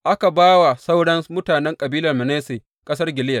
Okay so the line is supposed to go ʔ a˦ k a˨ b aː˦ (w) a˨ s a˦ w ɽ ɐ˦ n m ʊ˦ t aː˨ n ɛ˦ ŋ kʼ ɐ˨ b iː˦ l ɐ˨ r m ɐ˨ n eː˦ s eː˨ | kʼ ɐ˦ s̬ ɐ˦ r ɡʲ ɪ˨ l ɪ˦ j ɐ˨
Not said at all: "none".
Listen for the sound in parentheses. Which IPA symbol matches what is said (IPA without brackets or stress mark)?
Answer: w